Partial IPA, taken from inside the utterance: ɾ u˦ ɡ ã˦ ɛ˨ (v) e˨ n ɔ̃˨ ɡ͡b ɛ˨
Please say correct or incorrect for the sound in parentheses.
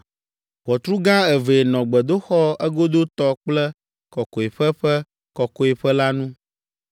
correct